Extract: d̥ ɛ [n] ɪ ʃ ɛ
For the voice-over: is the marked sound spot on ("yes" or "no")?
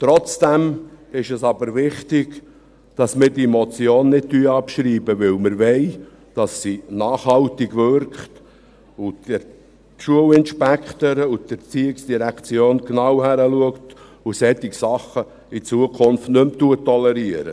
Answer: no